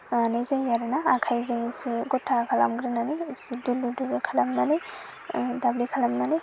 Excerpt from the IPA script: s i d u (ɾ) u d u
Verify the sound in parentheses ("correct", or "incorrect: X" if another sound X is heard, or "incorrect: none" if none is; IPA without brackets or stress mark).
incorrect: l